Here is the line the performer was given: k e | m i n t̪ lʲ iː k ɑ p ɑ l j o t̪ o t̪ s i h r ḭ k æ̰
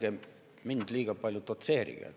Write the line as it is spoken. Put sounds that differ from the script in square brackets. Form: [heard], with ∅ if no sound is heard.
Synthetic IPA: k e | m i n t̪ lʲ iː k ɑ p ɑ l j o t̪ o t̪ s [e] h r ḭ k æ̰